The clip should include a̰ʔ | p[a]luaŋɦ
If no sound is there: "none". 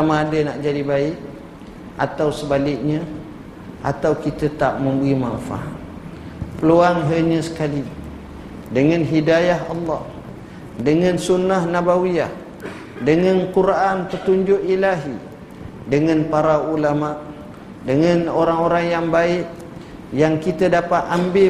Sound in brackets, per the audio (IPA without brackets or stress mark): ə